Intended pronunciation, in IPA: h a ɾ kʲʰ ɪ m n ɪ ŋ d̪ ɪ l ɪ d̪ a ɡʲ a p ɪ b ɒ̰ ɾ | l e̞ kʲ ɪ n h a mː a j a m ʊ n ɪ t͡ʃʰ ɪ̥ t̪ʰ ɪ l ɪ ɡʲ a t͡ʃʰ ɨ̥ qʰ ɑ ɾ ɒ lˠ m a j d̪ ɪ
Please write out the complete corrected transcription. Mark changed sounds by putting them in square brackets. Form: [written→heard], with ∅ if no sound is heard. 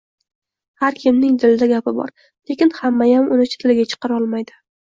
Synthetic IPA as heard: h a ɾ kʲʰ ɪ m n ɪ ŋ d̪ ɪ l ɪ d̪ a ɡʲ a p ɪ b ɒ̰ ɾ | l e̞ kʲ ɪ n h a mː a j a m ʊ n ɪ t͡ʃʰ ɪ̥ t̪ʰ ɪ l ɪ ɡʲ a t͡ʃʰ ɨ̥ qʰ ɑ ɾ ɒ lˠ m a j d̪ ɪ